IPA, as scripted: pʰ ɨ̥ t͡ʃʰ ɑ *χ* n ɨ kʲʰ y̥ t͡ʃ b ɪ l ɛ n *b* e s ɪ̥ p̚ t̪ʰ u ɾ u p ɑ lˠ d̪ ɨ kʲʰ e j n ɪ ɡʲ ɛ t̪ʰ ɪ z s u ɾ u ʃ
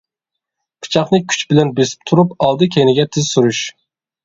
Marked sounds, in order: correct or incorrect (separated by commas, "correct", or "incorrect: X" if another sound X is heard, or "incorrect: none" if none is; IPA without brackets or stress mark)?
correct, correct